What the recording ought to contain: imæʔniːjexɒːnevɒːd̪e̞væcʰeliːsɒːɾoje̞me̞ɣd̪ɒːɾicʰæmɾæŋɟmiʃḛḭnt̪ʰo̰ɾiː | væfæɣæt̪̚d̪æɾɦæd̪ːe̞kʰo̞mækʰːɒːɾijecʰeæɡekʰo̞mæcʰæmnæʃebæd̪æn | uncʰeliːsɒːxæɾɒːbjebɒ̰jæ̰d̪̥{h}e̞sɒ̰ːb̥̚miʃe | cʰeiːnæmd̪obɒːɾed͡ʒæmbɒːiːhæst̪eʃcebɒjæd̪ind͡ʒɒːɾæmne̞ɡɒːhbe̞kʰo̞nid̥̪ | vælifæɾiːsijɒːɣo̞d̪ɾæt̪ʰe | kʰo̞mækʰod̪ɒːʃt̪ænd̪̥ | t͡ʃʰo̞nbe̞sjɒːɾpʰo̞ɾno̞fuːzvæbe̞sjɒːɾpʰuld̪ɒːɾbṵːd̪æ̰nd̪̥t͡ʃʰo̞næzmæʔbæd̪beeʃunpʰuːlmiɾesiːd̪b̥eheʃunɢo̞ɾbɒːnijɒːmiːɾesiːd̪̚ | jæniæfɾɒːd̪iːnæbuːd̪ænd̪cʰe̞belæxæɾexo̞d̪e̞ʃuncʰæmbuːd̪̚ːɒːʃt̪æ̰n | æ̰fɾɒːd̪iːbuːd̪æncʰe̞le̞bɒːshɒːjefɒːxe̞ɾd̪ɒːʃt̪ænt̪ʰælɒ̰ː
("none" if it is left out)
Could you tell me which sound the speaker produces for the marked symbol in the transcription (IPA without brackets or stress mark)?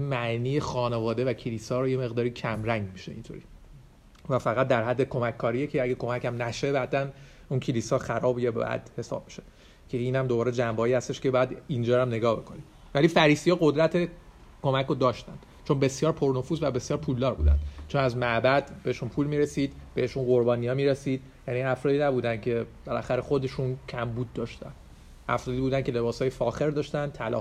h